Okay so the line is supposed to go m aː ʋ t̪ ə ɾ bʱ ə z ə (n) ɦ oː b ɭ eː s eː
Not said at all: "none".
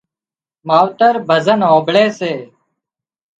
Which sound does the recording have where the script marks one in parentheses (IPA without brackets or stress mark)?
n